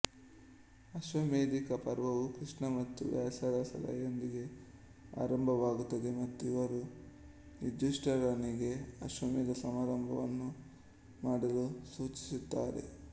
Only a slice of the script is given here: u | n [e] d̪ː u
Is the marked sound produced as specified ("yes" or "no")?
no